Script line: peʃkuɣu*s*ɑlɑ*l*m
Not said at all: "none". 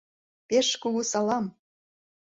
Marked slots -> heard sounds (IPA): s, none

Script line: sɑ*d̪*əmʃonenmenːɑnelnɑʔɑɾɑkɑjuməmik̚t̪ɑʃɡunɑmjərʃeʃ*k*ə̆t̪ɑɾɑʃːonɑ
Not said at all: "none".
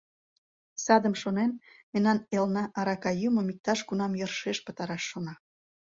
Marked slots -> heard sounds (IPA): d̪, p

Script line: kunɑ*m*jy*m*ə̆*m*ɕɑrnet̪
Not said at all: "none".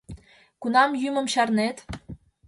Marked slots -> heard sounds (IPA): m, m, m

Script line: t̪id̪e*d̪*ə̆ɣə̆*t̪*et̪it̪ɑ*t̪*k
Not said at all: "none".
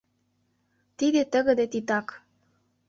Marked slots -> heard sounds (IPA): t̪, d̪, none

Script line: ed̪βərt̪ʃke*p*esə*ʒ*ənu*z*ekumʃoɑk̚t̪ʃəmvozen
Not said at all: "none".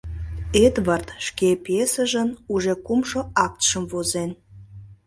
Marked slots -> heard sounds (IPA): p, ʒ, ʒ

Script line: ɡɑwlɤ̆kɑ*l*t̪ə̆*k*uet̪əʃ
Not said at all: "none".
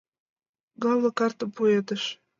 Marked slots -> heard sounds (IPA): r, p

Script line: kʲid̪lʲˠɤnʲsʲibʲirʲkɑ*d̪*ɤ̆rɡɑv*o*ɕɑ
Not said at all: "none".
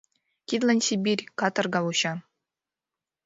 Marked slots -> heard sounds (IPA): t̪, u

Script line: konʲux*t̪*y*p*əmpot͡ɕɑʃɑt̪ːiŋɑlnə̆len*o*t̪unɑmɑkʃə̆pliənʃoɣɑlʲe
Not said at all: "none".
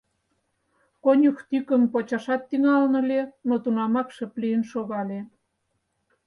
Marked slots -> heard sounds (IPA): t̪, k, o

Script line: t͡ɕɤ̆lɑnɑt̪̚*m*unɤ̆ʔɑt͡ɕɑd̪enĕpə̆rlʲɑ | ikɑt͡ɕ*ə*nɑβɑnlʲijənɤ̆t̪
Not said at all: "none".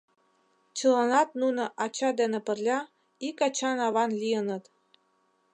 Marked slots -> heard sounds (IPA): n, ɑ

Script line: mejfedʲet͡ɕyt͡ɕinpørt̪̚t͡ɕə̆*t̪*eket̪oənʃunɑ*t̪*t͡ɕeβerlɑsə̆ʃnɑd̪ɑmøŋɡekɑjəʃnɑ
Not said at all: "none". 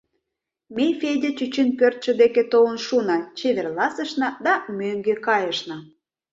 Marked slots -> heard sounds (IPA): d̪, none

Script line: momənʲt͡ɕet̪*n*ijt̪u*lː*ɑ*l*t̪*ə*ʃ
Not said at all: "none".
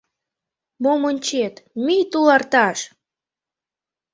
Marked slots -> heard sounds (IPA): m, l, r, ɑ

